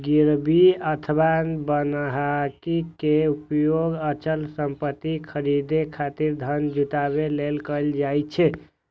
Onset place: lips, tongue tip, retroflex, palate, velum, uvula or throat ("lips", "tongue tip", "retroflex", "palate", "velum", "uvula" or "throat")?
velum